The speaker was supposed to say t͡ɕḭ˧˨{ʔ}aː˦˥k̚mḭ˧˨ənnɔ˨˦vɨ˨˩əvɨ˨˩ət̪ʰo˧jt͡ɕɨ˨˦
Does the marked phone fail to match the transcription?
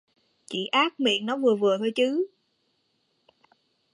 no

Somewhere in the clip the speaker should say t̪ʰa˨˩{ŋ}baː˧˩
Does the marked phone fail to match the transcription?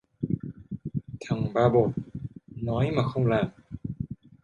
no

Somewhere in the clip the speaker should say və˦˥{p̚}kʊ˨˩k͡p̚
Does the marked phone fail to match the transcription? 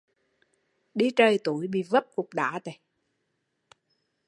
no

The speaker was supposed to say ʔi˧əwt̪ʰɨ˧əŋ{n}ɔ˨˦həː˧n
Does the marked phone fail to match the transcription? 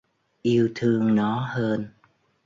no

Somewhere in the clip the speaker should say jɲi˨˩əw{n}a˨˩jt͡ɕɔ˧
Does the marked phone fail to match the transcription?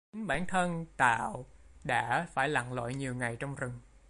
yes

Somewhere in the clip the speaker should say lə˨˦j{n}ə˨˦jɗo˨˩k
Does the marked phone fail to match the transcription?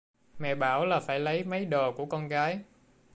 yes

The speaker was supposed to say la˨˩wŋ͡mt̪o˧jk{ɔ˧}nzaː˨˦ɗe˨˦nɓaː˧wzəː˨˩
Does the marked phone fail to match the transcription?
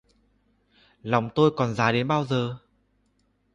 yes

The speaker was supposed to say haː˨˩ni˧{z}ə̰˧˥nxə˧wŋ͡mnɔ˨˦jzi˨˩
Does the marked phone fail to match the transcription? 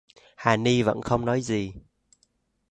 yes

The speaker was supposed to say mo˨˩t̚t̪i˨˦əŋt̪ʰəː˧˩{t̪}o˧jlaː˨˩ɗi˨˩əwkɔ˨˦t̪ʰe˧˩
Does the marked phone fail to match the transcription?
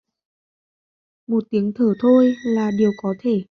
yes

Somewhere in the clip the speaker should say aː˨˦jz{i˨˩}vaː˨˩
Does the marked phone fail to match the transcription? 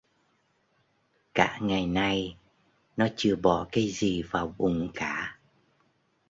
no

